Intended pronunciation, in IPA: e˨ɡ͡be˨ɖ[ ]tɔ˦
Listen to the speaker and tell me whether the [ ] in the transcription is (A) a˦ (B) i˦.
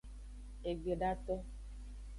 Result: A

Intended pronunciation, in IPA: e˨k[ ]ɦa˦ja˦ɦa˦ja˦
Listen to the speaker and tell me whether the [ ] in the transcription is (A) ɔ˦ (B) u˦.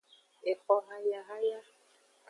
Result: A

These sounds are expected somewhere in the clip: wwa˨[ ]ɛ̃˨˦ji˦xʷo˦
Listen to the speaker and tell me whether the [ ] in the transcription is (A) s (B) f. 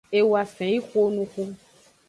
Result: B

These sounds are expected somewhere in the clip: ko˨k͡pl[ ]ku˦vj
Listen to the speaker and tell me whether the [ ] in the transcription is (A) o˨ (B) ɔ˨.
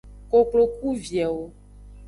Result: A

